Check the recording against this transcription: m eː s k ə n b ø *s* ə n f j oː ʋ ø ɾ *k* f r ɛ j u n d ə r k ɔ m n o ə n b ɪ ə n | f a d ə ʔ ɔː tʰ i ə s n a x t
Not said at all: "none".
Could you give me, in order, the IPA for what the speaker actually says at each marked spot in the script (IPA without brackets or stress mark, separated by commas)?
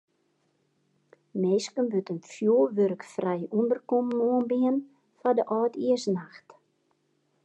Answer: t, k